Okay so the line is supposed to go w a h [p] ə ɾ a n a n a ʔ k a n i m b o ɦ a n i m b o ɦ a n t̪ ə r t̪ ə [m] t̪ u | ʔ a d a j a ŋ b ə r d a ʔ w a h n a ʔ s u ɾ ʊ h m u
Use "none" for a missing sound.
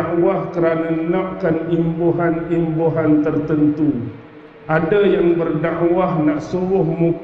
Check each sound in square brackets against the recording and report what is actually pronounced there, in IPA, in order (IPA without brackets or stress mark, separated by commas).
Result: k, n